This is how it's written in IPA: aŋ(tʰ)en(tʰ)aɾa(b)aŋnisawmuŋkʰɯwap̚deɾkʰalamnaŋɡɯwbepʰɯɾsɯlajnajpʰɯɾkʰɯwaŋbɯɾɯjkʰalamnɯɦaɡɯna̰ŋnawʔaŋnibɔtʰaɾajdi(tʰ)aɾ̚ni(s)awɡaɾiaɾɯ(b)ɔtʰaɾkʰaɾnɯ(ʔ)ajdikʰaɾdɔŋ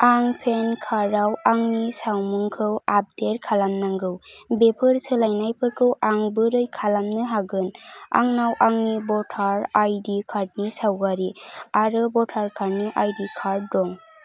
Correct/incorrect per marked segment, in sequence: incorrect, incorrect, incorrect, incorrect, correct, correct, correct

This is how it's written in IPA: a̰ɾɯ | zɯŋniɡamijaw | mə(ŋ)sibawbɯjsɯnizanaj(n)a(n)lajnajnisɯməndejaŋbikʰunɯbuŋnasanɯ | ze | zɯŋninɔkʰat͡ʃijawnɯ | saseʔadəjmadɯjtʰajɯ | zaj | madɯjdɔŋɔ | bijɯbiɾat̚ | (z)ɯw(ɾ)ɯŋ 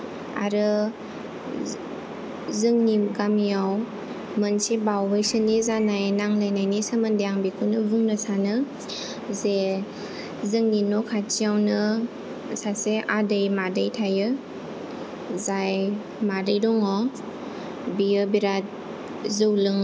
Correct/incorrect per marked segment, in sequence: incorrect, correct, incorrect, correct, incorrect

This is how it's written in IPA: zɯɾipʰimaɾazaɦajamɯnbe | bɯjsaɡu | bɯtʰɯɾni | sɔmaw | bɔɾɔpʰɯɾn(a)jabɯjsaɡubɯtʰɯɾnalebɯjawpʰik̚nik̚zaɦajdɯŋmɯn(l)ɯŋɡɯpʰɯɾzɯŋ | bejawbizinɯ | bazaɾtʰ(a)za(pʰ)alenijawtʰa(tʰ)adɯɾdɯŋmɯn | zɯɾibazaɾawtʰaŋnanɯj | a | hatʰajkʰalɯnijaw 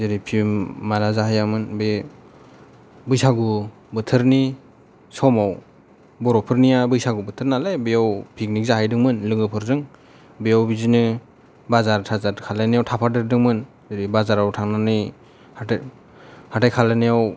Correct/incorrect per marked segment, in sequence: incorrect, correct, correct, incorrect, incorrect

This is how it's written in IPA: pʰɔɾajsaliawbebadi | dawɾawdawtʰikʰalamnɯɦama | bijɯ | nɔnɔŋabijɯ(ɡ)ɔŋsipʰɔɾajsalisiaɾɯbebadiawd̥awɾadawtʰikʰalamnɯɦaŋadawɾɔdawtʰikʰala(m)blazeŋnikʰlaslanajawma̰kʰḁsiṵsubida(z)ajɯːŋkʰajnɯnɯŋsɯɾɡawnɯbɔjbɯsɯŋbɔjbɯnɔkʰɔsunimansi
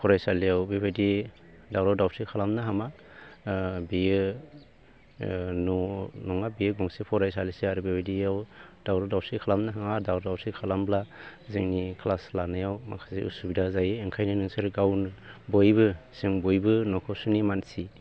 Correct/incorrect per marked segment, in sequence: correct, correct, correct

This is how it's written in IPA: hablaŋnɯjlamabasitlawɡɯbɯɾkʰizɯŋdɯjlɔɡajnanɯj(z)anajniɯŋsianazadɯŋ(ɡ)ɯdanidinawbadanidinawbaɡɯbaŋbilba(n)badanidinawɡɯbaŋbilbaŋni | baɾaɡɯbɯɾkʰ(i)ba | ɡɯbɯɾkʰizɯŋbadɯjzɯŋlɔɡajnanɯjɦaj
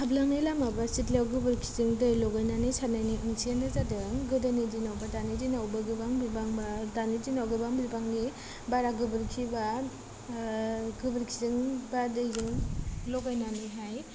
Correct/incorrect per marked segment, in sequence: incorrect, correct, incorrect, correct

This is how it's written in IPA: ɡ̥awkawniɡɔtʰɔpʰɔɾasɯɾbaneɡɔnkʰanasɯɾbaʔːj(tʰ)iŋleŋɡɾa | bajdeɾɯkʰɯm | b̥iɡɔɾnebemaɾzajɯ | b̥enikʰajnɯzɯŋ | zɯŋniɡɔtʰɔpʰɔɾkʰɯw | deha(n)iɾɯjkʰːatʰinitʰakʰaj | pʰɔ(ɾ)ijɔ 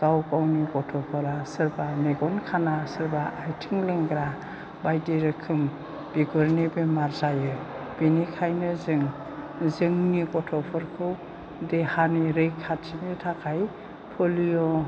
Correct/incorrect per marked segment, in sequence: correct, correct, incorrect

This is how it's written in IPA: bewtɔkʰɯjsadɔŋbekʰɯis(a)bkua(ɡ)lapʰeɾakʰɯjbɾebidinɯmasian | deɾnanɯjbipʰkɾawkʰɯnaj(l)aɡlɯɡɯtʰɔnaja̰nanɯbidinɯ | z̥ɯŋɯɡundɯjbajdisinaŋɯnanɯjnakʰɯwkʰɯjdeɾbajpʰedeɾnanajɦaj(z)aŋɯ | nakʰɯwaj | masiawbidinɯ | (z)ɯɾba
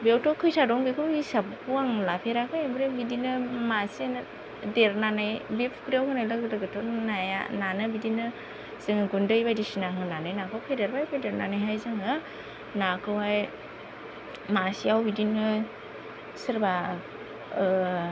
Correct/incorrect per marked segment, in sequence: correct, incorrect, correct, correct, incorrect

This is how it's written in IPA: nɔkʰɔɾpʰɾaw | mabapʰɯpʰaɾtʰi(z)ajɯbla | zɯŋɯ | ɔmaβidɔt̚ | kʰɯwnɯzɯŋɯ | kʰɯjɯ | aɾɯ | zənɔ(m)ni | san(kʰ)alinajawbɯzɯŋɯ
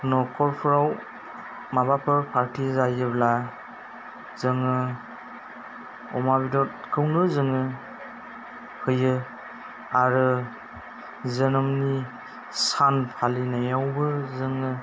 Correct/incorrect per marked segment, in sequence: correct, correct, incorrect

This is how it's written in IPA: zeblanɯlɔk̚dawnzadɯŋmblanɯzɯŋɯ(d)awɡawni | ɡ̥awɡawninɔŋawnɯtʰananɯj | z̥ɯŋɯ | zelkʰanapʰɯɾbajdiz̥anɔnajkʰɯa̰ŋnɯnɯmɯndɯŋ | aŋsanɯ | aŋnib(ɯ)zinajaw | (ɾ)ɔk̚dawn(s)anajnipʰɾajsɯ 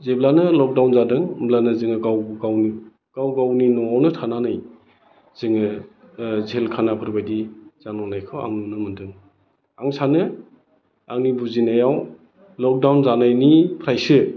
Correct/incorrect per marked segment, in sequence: incorrect, incorrect, incorrect, incorrect

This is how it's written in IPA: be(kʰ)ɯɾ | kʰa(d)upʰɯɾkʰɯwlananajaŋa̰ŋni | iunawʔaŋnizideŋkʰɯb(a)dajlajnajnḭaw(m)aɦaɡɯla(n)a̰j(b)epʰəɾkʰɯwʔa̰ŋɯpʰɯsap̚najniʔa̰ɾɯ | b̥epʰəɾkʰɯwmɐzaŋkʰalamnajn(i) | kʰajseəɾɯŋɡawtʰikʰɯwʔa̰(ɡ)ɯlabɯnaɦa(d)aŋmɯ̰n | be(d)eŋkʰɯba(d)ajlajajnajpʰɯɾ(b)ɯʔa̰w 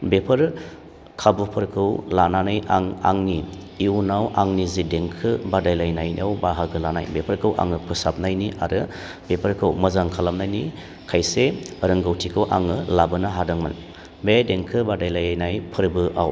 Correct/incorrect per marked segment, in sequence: incorrect, incorrect, correct, incorrect, correct, correct, correct, incorrect, correct, correct, correct, correct

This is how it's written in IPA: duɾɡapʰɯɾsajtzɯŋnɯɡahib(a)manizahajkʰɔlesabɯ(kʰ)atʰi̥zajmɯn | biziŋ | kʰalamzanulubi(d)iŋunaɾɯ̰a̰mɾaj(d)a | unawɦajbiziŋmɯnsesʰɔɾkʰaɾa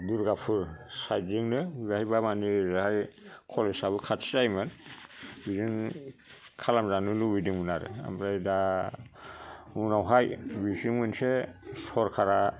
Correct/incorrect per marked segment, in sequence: correct, correct, correct, correct

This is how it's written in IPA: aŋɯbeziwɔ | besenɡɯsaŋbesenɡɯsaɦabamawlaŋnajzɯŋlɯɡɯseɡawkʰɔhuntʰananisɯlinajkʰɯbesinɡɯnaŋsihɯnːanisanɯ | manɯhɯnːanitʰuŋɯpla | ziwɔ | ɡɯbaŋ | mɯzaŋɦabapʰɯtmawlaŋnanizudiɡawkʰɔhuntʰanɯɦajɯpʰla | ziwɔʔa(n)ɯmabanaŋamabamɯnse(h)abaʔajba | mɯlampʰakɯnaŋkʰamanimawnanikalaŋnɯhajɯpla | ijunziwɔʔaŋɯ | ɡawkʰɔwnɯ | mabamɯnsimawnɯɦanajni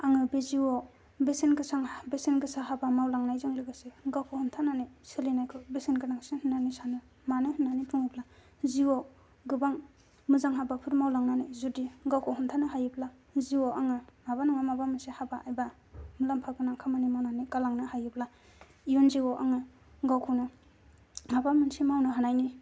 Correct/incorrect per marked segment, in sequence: incorrect, correct

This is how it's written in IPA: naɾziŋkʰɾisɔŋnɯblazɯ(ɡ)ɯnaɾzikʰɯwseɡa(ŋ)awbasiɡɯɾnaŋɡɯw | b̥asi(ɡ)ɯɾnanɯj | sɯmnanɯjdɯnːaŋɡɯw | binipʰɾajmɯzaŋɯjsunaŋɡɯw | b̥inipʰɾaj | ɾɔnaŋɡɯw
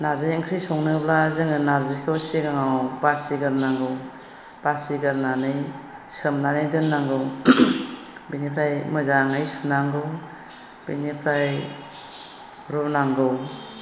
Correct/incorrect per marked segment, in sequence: incorrect, correct, correct

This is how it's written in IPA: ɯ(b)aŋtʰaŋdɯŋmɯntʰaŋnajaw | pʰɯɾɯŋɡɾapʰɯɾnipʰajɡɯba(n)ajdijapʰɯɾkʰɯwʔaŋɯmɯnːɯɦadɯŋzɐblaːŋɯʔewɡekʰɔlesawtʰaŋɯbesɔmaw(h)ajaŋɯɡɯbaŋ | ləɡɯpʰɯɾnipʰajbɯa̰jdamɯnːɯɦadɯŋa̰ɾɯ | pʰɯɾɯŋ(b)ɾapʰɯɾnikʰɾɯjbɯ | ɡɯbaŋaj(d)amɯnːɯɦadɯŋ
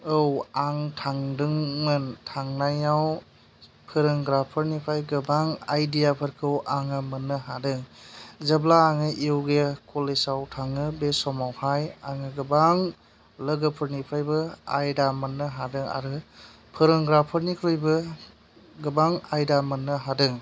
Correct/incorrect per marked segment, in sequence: incorrect, incorrect, correct, incorrect, correct

